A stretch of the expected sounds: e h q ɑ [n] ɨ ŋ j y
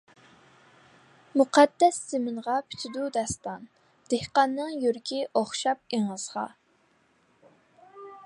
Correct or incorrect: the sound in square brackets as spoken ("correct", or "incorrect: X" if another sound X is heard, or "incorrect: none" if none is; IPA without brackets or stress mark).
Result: incorrect: nː